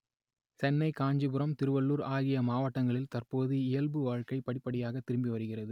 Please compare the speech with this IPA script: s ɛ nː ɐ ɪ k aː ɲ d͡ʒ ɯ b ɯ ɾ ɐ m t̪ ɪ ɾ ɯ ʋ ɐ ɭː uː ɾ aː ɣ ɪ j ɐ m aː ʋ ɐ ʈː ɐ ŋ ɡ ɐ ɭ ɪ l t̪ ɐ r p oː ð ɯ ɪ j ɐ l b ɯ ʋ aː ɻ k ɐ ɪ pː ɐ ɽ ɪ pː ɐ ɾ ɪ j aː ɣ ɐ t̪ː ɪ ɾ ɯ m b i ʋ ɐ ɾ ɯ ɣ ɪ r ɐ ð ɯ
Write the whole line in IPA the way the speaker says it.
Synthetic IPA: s ɛ nː ɐ ɪ k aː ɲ d͡ʒ ɯ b ɯ ɾ ɐ m t̪ ɪ ɾ ɯ ʋ ɐ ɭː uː ɾ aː ɣ ɪ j ɐ m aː ʋ ɐ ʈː ɐ ŋ ɡ ɐ ɭ ɪ l t̪ ɐ r p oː ð ɯ ɪ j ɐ l b ɯ ʋ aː ɻ k ɐ ɪ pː ɐ ɽ ɪ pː ɐ ɽ ɪ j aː ɣ ɐ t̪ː ɪ ɾ ɯ m b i ʋ ɐ ɾ ɯ ɣ ɪ r ɐ ð ɯ

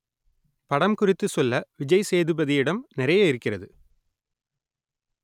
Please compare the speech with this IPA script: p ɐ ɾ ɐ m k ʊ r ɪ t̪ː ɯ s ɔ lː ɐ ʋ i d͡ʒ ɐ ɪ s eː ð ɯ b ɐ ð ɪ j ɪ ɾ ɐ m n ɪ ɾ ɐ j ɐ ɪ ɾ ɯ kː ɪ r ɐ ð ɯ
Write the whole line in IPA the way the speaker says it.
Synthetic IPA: p ɐ ɽ ɐ m k ʊ r ɪ t̪ː ɯ s ɔ lː ɐ ʋ ɪ d͡ʒ ɐ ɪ s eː ð ɯ b ɐ ð ɪ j ɪ ɽ ɐ m n ɪ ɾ ɐ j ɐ ɪ ɾ ɯ kː ɪ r ɐ ð ɯ

